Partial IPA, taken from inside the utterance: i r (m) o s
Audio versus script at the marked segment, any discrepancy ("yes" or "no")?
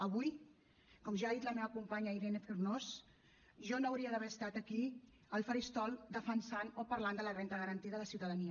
yes